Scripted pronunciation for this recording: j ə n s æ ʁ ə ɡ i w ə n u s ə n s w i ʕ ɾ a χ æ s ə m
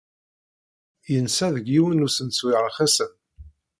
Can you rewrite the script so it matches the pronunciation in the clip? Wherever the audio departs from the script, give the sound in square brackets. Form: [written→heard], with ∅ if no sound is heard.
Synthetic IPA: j ə n s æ [ʁ→ð] ə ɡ i w ə n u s ə n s w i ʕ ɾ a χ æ s ə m